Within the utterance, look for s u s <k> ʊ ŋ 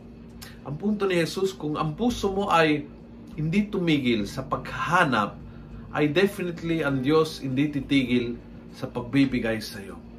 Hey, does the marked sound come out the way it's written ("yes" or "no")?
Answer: yes